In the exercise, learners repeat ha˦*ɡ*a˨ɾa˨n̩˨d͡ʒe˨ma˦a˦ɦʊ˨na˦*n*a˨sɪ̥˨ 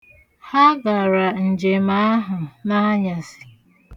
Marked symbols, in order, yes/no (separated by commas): yes, no